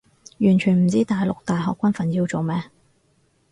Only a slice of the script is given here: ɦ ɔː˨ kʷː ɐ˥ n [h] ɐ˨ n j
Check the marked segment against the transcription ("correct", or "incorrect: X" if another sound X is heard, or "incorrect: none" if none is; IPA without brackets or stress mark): incorrect: f